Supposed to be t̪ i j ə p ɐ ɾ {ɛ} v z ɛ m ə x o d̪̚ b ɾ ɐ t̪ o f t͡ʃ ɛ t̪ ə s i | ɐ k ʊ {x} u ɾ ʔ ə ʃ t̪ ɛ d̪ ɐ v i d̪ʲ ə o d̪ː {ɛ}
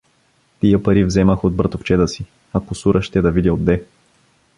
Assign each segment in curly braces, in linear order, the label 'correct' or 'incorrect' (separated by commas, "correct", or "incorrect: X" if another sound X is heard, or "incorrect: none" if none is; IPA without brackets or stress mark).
incorrect: i, incorrect: s, correct